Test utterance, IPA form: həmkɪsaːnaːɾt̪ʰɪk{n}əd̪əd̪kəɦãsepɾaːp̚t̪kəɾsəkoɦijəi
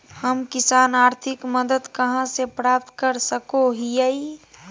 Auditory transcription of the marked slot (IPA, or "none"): m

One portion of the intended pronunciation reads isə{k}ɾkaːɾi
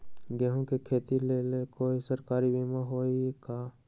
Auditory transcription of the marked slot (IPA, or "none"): none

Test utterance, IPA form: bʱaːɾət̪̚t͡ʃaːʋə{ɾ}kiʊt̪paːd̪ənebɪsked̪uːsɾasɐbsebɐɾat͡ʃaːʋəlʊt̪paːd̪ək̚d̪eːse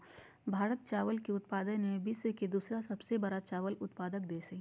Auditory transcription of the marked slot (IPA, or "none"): l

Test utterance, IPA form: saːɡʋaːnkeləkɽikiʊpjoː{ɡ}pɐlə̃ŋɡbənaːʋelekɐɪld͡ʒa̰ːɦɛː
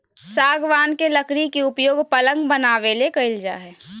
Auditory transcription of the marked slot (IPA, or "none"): ɡ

